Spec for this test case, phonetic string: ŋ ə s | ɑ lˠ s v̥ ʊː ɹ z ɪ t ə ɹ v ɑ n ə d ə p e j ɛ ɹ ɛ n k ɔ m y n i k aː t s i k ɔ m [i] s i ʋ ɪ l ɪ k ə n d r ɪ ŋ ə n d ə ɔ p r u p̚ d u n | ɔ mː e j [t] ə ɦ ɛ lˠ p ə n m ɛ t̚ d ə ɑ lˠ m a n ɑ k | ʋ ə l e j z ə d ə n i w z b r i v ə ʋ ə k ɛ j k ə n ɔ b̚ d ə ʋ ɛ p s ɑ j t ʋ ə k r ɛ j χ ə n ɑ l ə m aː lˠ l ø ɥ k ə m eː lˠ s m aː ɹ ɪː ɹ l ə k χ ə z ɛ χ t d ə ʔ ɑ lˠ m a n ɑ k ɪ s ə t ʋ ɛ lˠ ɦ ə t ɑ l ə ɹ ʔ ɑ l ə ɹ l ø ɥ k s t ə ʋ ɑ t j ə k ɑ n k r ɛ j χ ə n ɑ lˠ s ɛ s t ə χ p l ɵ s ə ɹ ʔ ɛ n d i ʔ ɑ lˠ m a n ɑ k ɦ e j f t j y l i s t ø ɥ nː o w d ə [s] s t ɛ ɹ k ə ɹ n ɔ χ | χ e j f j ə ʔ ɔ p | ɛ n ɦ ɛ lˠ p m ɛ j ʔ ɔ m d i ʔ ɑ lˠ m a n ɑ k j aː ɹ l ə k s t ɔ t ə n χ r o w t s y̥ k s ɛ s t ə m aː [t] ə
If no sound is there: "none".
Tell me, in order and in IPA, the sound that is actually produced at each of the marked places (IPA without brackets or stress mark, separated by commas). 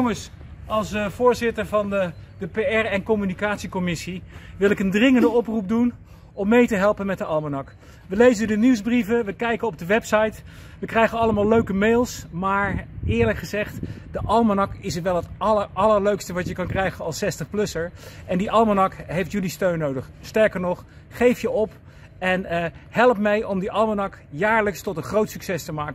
ɪ, t, χ, k